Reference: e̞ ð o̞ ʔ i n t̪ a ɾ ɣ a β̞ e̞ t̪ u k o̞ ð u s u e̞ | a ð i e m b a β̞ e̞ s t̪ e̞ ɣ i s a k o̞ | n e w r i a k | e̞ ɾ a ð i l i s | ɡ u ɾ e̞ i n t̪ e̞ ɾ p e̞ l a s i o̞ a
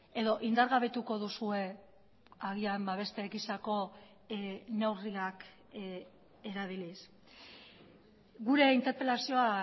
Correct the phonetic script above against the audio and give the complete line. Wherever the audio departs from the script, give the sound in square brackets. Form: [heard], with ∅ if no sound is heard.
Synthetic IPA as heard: e̞ ð o̞ ʔ i n [d̪] a ɾ ɣ a β̞ e̞ t̪ u k o̞ ð u s u e̞ | a [ɣ] i [a] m b a β̞ e̞ s t̪ e̞ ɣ i s a k o̞ | n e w r i a k | e̞ ɾ a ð i l i s | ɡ u ɾ e̞ i n t̪ e̞ ɾ p e̞ l a s i o̞ a